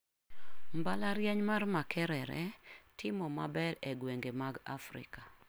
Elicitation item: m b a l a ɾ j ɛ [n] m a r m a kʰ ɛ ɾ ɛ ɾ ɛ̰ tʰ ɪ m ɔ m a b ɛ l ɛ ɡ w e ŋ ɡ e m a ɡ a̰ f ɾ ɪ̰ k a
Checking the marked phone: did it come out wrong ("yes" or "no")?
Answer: yes